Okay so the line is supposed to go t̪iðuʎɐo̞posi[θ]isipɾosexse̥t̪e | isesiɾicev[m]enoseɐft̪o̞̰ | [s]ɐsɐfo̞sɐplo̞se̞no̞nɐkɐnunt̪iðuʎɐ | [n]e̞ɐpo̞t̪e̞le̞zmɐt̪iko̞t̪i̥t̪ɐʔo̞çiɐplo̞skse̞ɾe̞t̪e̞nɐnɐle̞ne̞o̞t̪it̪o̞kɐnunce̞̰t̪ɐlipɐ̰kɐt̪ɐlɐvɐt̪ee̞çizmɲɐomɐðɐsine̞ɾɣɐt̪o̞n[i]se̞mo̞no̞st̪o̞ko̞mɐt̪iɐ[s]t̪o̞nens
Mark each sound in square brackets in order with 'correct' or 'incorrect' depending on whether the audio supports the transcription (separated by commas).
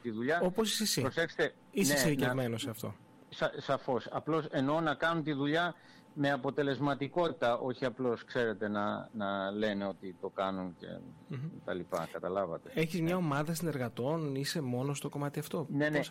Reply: incorrect, correct, correct, incorrect, correct, incorrect